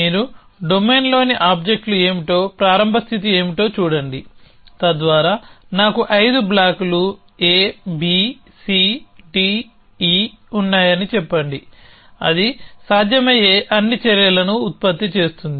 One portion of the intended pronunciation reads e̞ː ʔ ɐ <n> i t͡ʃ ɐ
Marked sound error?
yes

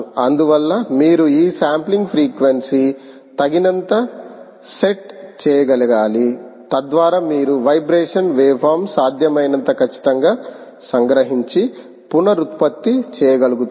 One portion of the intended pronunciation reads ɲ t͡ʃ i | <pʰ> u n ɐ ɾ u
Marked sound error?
yes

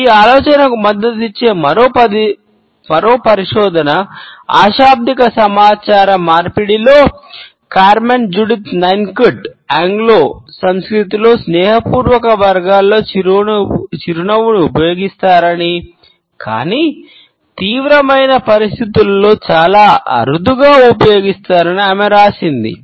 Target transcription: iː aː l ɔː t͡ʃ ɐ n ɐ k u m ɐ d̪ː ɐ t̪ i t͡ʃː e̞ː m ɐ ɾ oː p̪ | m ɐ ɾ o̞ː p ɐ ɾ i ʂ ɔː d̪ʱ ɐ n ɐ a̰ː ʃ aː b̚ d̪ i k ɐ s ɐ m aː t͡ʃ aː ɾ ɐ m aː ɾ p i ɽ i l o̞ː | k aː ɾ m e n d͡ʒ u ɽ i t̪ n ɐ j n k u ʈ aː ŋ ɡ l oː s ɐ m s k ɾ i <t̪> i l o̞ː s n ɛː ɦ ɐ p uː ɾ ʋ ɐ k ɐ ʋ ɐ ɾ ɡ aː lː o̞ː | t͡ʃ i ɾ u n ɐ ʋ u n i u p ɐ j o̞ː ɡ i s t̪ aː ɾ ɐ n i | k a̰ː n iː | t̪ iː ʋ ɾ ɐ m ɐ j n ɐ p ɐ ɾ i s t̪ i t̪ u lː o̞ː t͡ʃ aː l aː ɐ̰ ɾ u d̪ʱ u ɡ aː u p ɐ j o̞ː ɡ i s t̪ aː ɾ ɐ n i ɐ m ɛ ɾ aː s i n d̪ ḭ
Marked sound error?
no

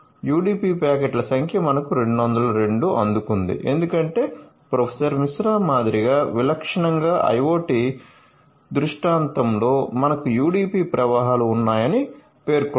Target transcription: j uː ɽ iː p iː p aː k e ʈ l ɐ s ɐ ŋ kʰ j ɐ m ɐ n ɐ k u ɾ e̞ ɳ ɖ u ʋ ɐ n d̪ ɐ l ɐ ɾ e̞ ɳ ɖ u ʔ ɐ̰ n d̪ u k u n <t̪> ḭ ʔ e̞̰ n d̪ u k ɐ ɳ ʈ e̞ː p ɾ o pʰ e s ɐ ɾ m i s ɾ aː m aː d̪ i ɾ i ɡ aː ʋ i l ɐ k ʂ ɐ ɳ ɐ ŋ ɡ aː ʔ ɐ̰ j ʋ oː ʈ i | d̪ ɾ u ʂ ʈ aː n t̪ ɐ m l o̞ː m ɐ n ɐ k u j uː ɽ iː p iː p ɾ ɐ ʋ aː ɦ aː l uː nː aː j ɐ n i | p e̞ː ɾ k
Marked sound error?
yes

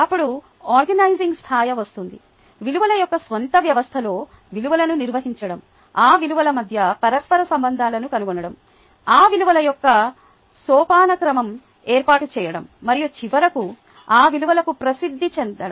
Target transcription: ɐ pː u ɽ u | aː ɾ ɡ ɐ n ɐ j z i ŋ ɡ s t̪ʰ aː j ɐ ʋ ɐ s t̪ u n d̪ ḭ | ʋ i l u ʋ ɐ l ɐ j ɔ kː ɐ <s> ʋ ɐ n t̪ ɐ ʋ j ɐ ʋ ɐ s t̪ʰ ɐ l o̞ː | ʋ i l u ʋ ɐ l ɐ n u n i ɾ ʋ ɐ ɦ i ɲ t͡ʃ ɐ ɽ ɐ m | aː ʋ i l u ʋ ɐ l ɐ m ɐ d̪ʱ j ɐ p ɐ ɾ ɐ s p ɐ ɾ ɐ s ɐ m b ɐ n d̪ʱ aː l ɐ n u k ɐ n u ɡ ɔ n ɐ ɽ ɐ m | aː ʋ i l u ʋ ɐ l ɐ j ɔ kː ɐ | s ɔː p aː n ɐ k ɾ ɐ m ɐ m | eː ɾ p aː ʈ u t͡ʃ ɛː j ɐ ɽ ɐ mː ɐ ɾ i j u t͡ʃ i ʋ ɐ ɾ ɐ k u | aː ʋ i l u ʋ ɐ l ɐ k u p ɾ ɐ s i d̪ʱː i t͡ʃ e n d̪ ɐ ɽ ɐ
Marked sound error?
no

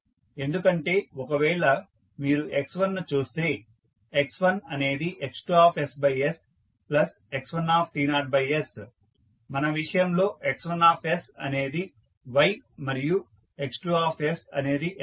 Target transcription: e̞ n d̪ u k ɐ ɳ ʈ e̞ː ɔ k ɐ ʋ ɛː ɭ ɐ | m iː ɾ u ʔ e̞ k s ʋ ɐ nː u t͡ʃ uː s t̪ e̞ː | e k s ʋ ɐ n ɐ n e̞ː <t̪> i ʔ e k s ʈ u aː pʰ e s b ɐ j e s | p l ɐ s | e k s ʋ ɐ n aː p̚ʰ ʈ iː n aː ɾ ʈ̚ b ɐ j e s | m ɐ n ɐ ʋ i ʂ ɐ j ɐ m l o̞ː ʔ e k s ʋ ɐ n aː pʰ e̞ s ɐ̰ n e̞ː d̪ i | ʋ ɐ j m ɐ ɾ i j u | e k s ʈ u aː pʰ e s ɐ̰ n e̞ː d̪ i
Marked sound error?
yes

